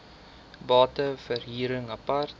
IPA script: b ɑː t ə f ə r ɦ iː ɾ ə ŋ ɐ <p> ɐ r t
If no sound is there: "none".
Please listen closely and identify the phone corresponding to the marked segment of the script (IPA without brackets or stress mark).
p